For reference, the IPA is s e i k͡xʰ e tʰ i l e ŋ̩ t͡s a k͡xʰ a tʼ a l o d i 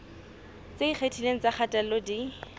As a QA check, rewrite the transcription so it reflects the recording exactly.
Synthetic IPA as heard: t͡s e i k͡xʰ e tʰ i l e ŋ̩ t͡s a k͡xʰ a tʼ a l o d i